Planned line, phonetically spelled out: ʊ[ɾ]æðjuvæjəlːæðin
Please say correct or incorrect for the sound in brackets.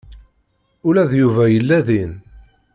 incorrect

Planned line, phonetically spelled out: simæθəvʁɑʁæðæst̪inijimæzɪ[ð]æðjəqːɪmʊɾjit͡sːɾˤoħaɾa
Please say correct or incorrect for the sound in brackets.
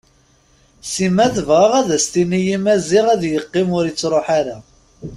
incorrect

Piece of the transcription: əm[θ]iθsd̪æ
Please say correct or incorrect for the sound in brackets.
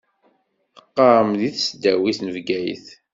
incorrect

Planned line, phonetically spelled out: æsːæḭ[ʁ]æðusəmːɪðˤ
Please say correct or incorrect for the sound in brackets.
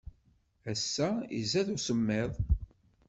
incorrect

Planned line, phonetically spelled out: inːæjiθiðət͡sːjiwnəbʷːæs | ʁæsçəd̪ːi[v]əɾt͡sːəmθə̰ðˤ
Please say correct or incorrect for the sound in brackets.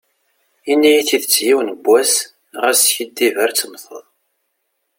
correct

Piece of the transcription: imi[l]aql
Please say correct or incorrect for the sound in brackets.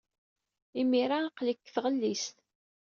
incorrect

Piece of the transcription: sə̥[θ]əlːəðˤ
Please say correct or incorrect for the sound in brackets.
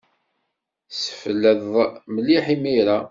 incorrect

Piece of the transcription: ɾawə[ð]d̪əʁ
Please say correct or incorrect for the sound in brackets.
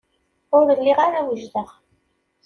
incorrect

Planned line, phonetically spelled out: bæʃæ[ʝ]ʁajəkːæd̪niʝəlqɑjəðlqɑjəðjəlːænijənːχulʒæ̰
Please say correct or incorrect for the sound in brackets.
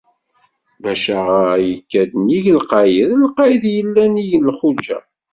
incorrect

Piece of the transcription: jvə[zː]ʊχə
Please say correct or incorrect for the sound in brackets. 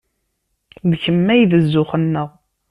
correct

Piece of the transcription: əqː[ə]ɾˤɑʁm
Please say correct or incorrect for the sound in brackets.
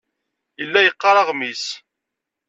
incorrect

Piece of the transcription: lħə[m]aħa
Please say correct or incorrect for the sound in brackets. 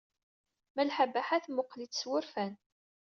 incorrect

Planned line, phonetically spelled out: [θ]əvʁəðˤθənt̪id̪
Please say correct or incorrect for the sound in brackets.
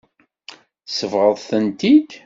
incorrect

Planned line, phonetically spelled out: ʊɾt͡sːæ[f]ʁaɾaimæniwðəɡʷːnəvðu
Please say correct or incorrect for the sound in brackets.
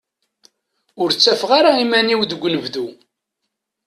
correct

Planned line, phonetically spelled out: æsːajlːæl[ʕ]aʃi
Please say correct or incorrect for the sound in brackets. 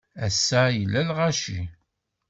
incorrect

